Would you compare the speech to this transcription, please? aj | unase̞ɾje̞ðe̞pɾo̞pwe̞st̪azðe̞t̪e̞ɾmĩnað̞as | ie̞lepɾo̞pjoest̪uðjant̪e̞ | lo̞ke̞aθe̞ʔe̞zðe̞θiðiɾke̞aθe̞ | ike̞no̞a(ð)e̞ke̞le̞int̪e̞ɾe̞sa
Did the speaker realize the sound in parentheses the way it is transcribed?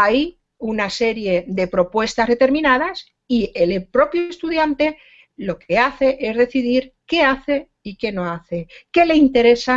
no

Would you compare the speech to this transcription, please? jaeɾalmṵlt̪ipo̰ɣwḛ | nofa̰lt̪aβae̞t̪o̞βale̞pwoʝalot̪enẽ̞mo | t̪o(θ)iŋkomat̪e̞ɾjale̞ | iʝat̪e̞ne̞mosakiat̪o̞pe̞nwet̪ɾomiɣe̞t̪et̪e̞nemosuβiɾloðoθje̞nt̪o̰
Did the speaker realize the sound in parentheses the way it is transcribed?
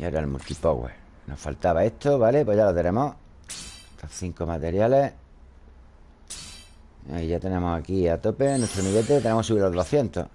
yes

